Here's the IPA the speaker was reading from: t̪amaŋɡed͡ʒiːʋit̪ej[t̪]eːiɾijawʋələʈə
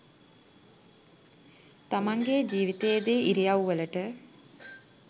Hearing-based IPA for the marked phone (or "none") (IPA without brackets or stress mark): d̪